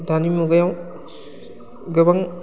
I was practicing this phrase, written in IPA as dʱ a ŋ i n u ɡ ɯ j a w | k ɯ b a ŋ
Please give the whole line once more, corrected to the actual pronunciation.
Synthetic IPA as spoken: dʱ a n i m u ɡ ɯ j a w | ɡ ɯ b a ŋ